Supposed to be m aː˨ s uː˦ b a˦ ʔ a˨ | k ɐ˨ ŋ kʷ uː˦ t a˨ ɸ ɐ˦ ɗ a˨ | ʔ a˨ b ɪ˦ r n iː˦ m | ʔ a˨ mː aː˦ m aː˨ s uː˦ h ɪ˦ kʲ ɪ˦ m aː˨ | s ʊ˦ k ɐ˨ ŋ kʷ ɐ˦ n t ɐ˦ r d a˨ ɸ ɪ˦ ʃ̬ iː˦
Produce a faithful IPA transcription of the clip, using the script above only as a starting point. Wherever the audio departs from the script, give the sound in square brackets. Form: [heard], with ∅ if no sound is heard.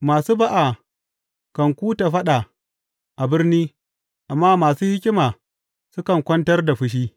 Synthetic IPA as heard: m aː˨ s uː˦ b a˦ ʔ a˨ | k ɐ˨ ŋ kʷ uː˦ t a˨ ɸ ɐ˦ ɗ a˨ | ʔ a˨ b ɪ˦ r n iː˦ [∅] | ʔ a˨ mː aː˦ m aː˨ s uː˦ h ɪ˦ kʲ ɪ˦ m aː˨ | s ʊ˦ k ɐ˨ ŋ kʷ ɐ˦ n t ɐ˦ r d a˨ ɸ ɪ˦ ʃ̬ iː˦